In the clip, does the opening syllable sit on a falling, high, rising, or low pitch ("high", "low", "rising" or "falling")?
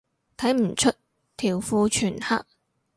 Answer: rising